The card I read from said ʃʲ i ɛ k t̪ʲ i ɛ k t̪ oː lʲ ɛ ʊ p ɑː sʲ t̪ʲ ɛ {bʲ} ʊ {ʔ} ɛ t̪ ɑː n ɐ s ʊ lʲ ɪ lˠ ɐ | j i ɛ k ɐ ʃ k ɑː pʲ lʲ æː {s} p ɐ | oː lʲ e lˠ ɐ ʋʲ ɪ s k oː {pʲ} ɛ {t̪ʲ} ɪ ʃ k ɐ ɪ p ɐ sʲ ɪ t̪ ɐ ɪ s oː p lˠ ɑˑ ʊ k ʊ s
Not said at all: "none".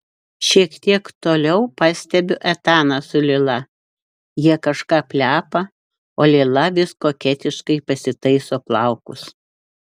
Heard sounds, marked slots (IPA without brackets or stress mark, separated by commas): bʲ, ʔ, none, kʲ, t̪ʲ